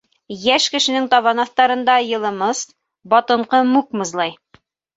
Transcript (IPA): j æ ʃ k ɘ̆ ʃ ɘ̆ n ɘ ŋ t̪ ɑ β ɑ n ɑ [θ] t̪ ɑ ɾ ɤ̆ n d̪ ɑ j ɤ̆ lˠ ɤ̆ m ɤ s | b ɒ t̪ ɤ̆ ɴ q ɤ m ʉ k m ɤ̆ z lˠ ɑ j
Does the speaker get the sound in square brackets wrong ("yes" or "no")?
no